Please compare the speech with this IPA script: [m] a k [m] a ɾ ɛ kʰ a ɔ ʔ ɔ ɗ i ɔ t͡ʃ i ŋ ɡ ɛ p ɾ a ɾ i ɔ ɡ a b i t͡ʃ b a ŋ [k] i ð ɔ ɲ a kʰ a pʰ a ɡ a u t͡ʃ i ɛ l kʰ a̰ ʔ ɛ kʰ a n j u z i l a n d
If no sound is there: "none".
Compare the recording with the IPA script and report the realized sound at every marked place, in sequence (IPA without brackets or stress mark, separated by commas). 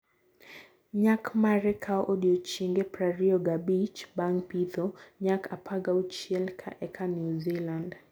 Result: ɲ, m, p